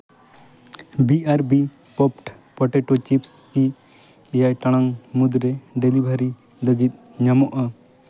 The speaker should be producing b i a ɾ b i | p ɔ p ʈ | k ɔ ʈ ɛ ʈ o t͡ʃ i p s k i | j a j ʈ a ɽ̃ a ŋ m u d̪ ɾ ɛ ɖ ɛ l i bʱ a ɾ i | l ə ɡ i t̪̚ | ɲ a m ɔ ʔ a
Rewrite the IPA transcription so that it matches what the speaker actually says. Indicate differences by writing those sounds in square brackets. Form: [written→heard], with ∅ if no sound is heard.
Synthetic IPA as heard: b i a ɾ b i | p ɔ p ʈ | [k→p] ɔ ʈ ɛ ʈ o t͡ʃ i p s k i | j a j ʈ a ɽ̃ a ŋ m u d̪ ɾ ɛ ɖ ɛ l i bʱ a ɾ i | l ə ɡ i t̪̚ | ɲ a m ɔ ʔ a